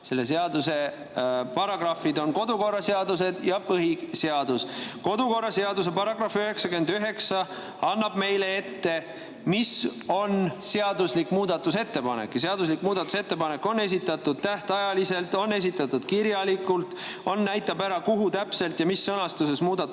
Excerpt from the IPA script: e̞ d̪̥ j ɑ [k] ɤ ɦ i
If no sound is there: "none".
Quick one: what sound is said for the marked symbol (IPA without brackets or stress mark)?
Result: p